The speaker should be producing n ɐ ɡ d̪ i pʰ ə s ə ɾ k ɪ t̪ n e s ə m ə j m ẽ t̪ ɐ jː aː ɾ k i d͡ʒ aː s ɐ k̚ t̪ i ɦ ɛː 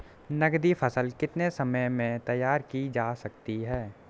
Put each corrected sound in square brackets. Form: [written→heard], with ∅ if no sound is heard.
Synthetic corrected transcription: n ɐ ɡ d̪ i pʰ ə s ə [ɾ→l] k ɪ t̪ n e s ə m ə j m ẽ t̪ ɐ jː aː ɾ k i d͡ʒ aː s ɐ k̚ t̪ i ɦ ɛː